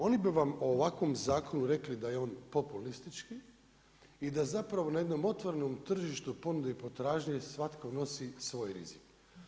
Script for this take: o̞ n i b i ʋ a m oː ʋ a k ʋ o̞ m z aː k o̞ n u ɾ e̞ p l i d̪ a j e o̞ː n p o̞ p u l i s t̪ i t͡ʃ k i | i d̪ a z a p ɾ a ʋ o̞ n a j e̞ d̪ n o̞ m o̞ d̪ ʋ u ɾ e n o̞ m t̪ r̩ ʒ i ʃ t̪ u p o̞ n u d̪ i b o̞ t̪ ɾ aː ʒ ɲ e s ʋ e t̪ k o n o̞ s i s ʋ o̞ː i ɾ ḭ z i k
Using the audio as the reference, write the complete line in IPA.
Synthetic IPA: o̞ n i b i ʋ a m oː ʋ a k ʋ o̞ m z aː k o̞ n u ɾ e̞ k l i d̪ a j e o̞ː n p o̞ p u l i s t̪ i t͡ʃ k i | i d̪ a z a p ɾ a ʋ o̞ n a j e̞ d̪ n o̞ m o̞ t̪ ʋ o ɾ e n o̞ m t̪ r̩ ʒ i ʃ t̪ u p o̞ n u d̪ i p o̞ t̪ ɾ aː ʒ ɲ e s ʋ a t̪ k o n o̞ s i s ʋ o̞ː j ɾ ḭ z i k

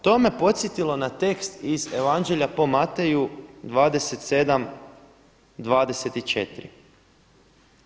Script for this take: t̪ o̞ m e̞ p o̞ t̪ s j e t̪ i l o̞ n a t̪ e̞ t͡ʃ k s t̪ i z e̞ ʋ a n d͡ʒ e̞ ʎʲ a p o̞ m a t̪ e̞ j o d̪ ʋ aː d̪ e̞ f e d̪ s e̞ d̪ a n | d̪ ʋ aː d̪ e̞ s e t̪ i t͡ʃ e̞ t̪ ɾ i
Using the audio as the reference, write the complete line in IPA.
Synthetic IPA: t̪ o̞ m e̞ p o̞ t̪ s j e t̪ i l o̞ n a t̪ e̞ k s t̪ i z e̞ ʋ a n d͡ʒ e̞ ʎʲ a p o̞ m a t̪ e̞ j u d̪ ʋ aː d̪ e̞ s e t̪ s e̞ d̪ a m | d̪ ʋ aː d̪ e̞ s e t̪ i t͡ʃ e̞ t̪ ɾ i

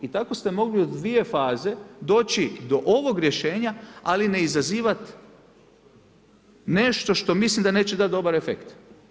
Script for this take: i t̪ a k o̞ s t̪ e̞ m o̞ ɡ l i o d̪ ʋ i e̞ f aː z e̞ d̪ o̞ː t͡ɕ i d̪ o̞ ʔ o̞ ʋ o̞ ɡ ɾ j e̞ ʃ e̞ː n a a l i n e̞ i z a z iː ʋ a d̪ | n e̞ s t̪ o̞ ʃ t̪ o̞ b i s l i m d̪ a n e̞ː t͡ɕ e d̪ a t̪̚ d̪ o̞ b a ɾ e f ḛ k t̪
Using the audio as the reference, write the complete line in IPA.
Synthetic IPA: i t̪ a k o̞ s t̪ e̞ m o̞ ɡ l i o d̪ ʋ i e̞ f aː z e̞ d̪ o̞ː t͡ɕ i d̪ o̞ ʔ o̞ ʋ o̞ ɡ ɾ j e̞ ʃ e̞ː ɲ a a l i n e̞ i z a z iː ʋ a t̪ | n e̞ ʃ t̪ o̞ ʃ t̪ o̞ m i s l i m d̪ a n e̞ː t͡ɕ e d̪ a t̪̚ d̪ o̞ b a ɾ e f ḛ k t̪

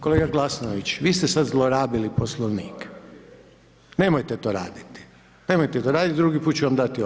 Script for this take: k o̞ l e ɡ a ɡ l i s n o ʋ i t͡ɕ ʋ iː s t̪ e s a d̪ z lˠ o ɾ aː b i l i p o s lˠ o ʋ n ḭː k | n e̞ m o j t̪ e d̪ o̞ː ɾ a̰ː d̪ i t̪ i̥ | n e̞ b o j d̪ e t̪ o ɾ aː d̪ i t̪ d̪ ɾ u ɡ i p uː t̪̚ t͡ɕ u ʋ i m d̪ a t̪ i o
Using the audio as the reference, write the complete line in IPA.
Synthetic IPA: k o̞ l e ɡ a ɡ l a s n o ʋ i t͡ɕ ʋ iː s t̪ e s a d̪ z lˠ o ɾ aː b i l i p o s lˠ o ʋ n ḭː k | n e̞ m o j t̪ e t̪ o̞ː ɾ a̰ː d̪ i t̪ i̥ | n e̞ m o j t̪ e t̪ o ɾ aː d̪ i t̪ d̪ ɾ u ɡ i p uː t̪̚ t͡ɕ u ʋ a m d̪ a t̪ i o

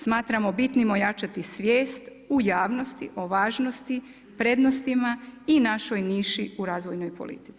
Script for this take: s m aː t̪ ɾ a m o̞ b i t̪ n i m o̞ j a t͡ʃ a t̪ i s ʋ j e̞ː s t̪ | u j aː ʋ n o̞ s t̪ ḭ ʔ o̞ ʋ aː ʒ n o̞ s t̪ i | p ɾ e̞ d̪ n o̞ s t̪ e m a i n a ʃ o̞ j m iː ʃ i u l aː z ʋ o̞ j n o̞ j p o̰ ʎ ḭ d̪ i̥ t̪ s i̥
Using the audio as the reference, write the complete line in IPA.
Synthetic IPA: s m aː t̪ ɾ a m o̞ b i t̪ n i m o̞ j a t͡ʃ a t̪ i s ʋ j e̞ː s t̪ | u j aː ʋ n o̞ s t̪ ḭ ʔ o̞ ʋ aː ʒ n o̞ s t̪ i | p ɾ e̞ d̪ n o̞ s t̪ i m a i n a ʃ o̞ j n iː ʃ i u ɾ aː z ʋ o̞ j n o̞ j p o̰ l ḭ t̪ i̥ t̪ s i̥

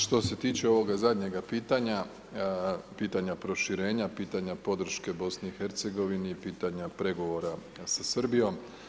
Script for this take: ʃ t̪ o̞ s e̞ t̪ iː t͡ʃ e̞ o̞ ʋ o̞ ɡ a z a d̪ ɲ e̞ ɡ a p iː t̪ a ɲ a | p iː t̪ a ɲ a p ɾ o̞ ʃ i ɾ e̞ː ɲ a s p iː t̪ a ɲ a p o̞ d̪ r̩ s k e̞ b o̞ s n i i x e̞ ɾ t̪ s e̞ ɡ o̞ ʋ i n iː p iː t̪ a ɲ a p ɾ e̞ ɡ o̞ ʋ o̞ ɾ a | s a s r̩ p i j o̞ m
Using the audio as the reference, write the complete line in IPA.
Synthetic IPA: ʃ t̪ o̞ s e̞ t̪ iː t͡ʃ e̞ o̞ ʋ o̞ ɡ a z a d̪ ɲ e̞ ɡ a p iː t̪ a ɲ a | p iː t̪ a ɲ a p ɾ o̞ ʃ i ɾ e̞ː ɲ a p iː t̪ a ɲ a p o̞ d̪ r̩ ʃ k e̞ b o̞ s n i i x e̞ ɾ t̪ s e̞ ɡ o̞ ʋ i n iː p iː t̪ a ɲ a p ɾ e̞ ɡ o̞ ʋ o̞ ɾ a | s a s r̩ b i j o̞ m

